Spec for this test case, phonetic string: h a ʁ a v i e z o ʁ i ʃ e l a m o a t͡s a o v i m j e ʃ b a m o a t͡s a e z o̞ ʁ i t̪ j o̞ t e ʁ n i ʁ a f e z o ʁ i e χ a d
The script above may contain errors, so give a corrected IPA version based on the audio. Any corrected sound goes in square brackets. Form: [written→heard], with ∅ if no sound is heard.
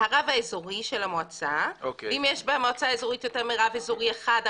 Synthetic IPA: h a ʁ a v [i→a] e z o ʁ i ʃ e l a m o a t͡s a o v i m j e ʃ b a m o a t͡s a e z o̞ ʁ i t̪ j o̞ t e ʁ [n→m] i ʁ a [f→v] e z o ʁ i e χ a d

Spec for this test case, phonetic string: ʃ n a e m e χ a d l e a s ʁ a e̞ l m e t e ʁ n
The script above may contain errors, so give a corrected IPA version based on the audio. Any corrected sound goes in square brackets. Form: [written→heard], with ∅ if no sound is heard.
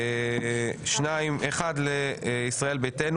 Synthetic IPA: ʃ n a [e→i] m e χ a d l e [a→i] s ʁ a e̞ l [m→b] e t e [ʁ→∅] n

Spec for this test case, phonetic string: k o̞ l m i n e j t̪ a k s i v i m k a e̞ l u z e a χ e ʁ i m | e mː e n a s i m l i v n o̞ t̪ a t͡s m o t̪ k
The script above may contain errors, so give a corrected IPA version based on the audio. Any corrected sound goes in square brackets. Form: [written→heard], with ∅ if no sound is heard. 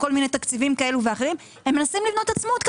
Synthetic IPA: k o̞ l m i n e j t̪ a k [s→t͡s] i v i m k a e̞ l u [z→v] e a χ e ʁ i m | e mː e n a s i m l i v n o̞ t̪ a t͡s m o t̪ k

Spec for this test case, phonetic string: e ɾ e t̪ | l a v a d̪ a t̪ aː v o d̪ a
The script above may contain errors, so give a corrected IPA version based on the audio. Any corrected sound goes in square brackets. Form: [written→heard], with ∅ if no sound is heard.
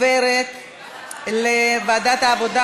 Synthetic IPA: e ɾ e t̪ | l [a→e] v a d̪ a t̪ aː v o d̪ a

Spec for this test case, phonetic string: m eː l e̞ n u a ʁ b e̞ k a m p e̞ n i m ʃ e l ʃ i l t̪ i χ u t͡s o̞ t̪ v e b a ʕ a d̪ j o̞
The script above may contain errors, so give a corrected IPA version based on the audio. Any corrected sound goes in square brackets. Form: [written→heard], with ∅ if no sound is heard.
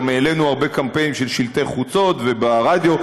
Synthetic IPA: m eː l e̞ n u a ʁ b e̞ k a m p e̞ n i m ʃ e l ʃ i l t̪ [i→e] χ u t͡s o̞ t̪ v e b a [ʕ→ʁ] a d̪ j o̞

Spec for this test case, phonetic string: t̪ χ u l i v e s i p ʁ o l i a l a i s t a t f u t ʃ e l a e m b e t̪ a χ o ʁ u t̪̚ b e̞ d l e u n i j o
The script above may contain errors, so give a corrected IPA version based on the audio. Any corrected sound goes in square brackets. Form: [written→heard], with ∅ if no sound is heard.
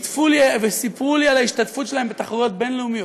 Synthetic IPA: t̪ [χ→f] u l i v e s i p ʁ [o→u] l i a l a i [s→ʃ] t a t f u t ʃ e l a e m b e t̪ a χ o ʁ [u→o] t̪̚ b e̞ [d→n] l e u [n→m] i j o

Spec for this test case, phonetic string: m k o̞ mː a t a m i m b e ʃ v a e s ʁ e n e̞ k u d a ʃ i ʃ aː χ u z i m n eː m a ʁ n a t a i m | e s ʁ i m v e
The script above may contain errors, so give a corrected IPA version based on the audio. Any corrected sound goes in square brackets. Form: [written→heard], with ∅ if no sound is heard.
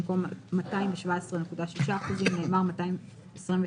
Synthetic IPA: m k o̞ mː a t a [m→∅] i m [b→v] e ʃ v a e s ʁ e n e̞ k u d a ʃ i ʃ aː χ u z i m n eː m a ʁ [n→m] a t a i m | e s ʁ i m v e

